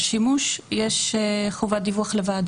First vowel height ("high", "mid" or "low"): high